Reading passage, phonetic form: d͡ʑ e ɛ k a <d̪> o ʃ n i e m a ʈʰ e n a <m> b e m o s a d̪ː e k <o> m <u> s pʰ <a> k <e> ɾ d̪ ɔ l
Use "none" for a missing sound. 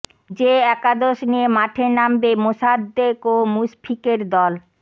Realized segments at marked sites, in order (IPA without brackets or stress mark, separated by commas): d̪, m, o, u, i, e